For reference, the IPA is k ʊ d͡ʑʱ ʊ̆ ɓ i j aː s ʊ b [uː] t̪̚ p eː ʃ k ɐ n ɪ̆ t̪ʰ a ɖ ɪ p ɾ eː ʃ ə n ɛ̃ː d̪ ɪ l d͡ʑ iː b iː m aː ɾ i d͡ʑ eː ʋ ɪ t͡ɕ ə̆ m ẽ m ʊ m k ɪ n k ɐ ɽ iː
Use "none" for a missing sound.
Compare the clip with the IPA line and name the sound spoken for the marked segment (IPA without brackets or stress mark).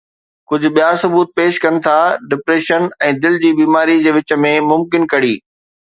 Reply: uː